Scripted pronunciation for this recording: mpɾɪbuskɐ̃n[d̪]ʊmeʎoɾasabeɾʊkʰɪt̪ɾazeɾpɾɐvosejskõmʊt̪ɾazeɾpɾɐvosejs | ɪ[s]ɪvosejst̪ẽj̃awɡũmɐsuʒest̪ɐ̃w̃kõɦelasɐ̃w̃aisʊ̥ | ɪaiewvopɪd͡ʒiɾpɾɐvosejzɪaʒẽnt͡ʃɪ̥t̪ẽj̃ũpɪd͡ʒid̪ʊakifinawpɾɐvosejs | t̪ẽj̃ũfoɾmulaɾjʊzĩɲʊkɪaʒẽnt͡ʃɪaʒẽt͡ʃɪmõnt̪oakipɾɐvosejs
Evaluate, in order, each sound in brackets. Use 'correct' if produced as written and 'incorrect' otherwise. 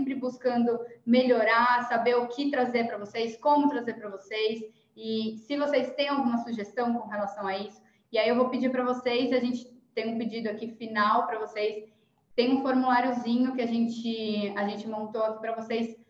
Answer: correct, correct

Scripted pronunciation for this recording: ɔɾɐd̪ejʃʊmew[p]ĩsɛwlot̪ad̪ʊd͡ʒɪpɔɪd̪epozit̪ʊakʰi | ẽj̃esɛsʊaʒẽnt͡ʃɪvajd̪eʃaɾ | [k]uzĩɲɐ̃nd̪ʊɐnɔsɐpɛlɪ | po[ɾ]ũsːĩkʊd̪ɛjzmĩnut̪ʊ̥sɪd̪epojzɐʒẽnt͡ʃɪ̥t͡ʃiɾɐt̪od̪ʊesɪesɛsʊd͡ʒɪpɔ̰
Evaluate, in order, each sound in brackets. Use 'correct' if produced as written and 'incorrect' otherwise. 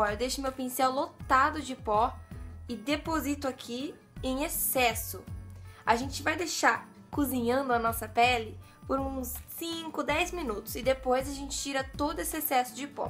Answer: correct, correct, correct

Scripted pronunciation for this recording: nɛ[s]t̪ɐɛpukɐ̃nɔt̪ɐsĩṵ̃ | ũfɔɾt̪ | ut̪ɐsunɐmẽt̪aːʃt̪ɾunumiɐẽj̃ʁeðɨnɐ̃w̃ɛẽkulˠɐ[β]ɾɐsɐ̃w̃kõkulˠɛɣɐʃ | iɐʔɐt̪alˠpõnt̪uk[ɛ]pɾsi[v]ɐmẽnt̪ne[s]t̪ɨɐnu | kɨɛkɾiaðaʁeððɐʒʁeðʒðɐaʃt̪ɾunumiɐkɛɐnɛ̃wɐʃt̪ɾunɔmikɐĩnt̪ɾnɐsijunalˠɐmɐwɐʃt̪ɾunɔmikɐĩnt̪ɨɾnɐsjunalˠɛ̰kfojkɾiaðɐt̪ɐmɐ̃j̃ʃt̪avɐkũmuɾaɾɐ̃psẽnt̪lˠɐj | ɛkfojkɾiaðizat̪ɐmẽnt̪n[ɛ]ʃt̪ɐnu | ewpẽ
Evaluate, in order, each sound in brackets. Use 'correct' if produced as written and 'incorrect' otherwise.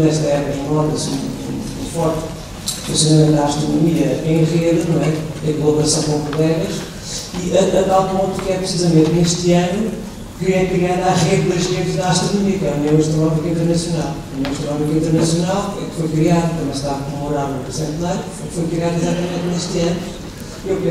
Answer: incorrect: ʃ, correct, correct, incorrect: z, incorrect: ʃ, incorrect: e

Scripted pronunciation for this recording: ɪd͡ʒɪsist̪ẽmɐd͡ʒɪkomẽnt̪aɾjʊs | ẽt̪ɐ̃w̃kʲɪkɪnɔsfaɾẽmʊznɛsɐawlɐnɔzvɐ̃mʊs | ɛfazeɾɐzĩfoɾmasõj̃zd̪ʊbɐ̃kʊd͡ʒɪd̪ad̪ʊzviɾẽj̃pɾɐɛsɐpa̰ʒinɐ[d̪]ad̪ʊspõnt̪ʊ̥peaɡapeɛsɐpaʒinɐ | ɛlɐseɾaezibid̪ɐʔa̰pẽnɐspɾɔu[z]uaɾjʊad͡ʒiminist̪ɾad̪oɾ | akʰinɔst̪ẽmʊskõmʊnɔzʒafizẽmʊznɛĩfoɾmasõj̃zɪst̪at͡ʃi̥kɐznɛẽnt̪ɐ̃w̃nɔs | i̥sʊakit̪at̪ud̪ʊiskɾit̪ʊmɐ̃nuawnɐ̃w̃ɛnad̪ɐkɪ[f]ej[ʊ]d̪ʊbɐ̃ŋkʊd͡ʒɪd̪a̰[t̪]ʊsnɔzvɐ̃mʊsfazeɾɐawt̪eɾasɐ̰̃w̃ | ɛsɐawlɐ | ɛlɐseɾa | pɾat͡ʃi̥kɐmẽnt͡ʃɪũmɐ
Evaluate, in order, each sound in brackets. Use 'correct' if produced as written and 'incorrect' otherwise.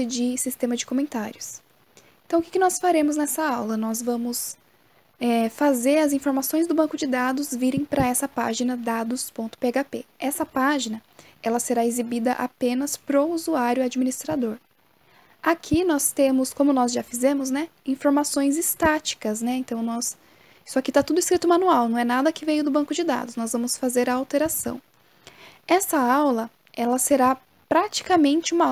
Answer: correct, correct, incorrect: v, correct, incorrect: d̪

